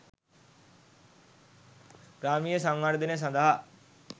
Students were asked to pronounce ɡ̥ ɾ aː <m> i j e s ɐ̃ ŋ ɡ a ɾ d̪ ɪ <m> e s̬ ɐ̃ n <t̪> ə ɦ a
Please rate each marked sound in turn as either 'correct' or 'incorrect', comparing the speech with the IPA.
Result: correct, incorrect: n, incorrect: d̪

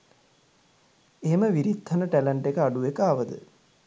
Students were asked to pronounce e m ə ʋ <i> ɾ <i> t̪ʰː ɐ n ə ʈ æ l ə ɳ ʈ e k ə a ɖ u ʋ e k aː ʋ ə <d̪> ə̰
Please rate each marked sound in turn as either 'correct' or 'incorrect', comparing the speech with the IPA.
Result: correct, correct, correct

